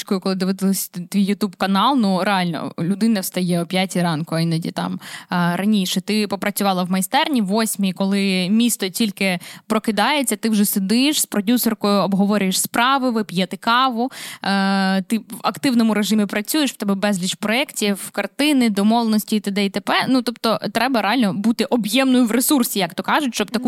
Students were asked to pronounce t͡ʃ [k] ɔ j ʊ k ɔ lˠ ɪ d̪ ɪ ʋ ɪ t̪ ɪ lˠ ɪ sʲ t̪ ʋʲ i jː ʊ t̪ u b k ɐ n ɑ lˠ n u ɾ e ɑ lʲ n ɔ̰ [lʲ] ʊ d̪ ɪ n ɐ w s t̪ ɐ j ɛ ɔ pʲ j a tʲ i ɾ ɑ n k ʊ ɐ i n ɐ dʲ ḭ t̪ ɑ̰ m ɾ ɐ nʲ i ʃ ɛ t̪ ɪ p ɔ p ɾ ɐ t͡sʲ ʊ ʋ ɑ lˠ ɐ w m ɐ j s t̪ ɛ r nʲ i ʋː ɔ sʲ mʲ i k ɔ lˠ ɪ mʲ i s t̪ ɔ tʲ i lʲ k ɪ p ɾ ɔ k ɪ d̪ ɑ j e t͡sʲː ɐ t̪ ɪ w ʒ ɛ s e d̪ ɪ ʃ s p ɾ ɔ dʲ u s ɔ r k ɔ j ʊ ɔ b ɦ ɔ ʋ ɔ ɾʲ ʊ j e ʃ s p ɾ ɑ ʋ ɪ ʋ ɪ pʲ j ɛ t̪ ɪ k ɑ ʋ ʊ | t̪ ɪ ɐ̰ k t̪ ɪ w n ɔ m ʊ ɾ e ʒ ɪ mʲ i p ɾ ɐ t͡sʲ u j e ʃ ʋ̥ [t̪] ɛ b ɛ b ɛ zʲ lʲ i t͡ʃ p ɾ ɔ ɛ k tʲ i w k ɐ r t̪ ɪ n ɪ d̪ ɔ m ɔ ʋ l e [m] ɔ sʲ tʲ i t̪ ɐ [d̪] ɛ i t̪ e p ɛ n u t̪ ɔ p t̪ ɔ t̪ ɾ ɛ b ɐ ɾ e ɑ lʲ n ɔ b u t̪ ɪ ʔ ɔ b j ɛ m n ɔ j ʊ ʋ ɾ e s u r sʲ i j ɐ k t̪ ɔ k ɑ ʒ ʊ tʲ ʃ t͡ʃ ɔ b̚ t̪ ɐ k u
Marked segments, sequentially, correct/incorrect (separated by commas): correct, correct, correct, incorrect, correct